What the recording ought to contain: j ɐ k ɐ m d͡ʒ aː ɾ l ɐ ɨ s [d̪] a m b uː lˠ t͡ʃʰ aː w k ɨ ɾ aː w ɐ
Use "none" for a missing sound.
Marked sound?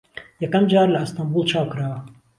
t̪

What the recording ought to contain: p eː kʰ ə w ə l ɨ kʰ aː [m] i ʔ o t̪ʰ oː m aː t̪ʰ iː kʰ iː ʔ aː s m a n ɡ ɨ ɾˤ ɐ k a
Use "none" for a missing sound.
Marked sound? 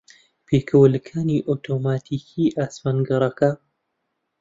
n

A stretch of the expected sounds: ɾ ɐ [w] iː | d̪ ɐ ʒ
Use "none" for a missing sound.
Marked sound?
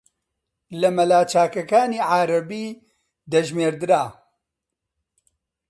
b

